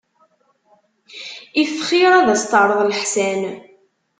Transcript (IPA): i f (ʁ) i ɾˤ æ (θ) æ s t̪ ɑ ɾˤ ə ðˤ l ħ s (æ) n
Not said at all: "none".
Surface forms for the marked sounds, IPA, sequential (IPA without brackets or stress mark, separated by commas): χ, ð, æ